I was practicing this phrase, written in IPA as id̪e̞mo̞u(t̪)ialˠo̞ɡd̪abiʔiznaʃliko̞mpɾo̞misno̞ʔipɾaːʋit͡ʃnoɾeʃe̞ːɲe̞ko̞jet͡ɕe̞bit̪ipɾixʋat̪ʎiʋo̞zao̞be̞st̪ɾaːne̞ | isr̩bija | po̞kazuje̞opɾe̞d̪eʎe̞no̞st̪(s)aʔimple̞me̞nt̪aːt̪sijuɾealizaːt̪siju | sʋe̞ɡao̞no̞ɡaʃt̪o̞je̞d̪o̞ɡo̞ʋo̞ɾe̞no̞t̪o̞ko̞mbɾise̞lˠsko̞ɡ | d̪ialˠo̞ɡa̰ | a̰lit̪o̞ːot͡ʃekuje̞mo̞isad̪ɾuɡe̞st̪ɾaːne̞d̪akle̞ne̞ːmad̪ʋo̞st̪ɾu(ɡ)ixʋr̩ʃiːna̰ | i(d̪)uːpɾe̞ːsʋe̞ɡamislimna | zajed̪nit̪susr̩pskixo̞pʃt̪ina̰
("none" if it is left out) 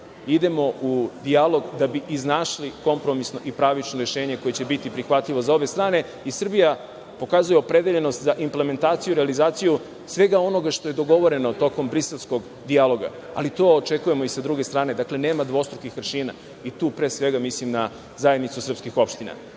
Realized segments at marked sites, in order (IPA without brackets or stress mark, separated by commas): d̪, z, k, t̪